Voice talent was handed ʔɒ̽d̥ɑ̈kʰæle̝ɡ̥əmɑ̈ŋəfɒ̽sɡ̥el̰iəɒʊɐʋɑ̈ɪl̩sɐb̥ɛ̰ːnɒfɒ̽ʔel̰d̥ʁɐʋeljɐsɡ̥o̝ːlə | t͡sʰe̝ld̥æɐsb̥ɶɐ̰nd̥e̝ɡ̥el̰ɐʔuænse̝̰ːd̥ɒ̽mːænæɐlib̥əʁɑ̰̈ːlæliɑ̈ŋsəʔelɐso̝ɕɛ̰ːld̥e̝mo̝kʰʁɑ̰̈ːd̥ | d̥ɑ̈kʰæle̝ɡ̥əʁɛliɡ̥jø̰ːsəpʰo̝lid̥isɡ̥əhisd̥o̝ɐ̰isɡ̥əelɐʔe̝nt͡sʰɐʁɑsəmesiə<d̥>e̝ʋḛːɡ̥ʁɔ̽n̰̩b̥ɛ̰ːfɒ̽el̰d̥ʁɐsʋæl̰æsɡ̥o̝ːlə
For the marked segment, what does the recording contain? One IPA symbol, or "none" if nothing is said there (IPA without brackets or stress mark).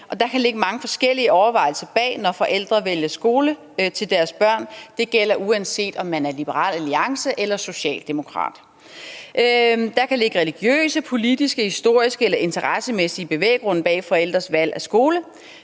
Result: b̥